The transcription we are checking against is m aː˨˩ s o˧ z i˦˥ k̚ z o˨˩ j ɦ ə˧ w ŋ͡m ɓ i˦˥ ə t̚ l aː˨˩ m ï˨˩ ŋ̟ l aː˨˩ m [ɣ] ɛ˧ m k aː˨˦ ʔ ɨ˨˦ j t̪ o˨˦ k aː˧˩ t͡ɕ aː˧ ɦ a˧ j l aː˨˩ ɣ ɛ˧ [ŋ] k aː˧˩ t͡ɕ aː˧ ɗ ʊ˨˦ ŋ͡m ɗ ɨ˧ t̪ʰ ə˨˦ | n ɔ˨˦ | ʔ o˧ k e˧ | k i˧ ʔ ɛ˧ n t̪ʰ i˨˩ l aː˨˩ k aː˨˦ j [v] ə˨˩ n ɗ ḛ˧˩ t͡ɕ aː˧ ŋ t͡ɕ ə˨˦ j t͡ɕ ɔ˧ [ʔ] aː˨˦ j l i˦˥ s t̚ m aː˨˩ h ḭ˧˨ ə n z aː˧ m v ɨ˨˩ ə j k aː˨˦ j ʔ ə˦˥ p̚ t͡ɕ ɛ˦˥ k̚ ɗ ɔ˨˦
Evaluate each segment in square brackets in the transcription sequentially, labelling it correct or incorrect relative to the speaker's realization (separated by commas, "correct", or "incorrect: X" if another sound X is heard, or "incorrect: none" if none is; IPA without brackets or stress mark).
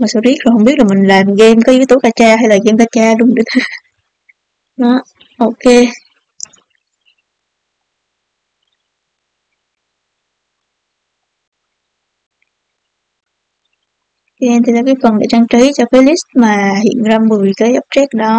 correct, incorrect: m, incorrect: f, incorrect: k